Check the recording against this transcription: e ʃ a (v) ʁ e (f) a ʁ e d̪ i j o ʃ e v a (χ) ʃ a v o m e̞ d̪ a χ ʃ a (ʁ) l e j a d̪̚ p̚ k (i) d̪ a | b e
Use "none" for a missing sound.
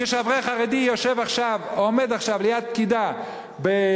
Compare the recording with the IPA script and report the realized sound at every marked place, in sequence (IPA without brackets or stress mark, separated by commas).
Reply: v, χ, χ, v, i